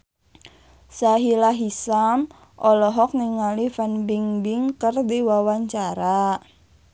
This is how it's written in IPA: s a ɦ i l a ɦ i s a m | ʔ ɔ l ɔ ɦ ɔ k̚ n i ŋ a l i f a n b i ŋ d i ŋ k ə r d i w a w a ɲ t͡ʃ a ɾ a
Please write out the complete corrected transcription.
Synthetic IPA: s a ɦ i l a ɦ i s a m | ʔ ɔ l ɔ ɦ ɔ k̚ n i ŋ a l i f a n b i ŋ b i ŋ k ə r d i w a w a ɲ t͡ʃ a ɾ a